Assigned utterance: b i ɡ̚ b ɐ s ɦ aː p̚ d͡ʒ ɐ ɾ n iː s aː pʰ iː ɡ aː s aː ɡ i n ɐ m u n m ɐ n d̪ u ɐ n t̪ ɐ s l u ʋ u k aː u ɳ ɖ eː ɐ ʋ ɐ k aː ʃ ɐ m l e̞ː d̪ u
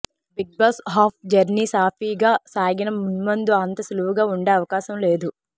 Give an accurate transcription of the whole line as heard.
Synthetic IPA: b i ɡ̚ b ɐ s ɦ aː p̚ d͡ʒ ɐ ɾ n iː s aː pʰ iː ɡ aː s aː ɡ i n ɐ m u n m ɐ n d̪ u ɐ n t̪ ɐ s l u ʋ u ɡ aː u ɳ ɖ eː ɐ ʋ ɐ k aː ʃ ɐ m l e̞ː d̪ u